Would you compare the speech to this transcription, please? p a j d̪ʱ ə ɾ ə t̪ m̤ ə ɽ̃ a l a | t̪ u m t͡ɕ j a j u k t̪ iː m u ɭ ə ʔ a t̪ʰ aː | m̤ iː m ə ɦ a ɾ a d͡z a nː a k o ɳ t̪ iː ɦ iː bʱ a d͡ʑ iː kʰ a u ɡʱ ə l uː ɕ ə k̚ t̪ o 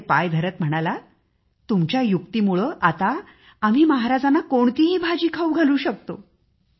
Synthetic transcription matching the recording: p a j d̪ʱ ə ɾ ə t̪ m̤ ə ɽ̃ a l a | t̪ u m t͡ɕ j a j u k t̪ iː m u ɭ ə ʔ a t̪ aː | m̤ iː m ə ɦ a ɾ a d͡z a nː a k o ɳ t̪ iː ɦ iː bʱ a d͡ʑ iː kʰ a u ɡʱ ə l uː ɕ ə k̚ t̪ o